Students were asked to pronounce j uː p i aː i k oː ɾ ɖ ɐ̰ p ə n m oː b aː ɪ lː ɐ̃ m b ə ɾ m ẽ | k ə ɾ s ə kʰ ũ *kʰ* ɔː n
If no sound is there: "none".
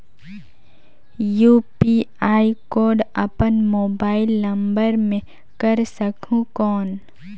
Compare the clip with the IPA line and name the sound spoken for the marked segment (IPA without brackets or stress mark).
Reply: k